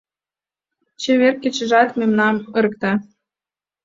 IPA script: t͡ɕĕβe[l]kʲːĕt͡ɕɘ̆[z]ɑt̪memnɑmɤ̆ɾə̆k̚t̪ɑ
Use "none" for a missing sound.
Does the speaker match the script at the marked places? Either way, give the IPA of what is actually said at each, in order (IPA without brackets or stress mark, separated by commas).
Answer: r, ʒ